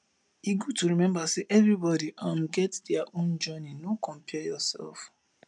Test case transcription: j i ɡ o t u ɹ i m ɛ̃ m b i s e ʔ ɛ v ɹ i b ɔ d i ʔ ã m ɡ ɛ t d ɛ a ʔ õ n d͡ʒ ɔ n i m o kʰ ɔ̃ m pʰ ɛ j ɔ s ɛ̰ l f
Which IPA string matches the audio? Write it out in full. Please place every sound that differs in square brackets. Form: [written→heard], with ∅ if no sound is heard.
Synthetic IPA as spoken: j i ɡ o t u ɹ i m ɛ̃ m b [i→a] s e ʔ ɛ v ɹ i b ɔ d i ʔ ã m ɡ ɛ t d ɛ a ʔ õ n d͡ʒ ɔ n i [m→n] o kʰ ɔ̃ m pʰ ɛ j ɔ s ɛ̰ l f